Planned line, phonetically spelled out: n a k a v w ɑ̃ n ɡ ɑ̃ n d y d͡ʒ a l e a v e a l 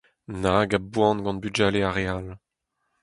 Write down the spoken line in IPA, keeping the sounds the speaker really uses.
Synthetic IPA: n a ɡ a b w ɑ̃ n ɡ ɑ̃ n b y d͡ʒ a l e a ʁ e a l